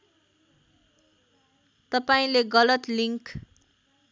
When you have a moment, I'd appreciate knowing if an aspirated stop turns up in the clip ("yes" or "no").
no